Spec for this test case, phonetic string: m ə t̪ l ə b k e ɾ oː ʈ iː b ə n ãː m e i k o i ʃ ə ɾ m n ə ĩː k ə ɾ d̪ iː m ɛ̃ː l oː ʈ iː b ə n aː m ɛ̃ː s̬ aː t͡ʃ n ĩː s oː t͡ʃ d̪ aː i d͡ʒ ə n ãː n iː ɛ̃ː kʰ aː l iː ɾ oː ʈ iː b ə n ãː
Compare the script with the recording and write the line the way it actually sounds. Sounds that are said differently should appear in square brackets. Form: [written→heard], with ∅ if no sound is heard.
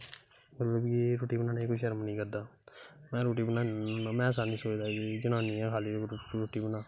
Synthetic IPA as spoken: m ə t̪ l ə b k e ɾ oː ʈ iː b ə n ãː [m→n] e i k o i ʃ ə ɾ m n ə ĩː k ə ɾ d̪ [iː→aː] m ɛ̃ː [l→ɾ] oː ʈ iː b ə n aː m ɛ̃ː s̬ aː [t͡ʃ→∅] n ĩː s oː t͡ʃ d̪ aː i d͡ʒ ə n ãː n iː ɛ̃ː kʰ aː l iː ɾ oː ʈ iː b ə n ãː